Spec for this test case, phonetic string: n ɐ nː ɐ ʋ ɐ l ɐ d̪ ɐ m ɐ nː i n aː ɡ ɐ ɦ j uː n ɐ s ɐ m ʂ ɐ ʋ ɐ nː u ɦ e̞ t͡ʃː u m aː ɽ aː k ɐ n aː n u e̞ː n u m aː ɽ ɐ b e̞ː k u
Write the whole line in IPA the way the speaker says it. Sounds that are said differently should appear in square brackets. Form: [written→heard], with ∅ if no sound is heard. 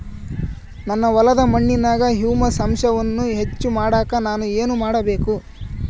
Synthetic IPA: n ɐ nː ɐ ʋ ɐ l ɐ d̪ ɐ m ɐ [nː→ɳː] i n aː ɡ ɐ ɦ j uː [n→m] ɐ s ɐ m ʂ ɐ ʋ ɐ nː u ɦ e̞ t͡ʃː u m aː ɽ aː k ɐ n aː n u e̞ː n u m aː ɽ ɐ b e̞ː k u